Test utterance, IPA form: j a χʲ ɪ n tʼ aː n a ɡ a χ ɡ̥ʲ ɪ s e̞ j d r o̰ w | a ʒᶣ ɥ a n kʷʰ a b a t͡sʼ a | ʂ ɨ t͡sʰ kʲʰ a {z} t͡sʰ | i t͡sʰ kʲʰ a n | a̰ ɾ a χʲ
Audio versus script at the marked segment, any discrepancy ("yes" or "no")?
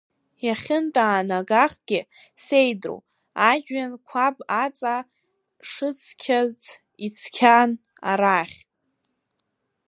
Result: no